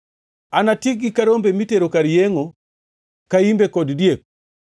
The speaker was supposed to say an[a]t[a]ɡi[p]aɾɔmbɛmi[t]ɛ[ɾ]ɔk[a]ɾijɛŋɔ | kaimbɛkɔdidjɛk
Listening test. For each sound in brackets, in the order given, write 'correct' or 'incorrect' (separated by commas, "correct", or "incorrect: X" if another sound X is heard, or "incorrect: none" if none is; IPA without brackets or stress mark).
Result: correct, incorrect: i, incorrect: k, correct, correct, correct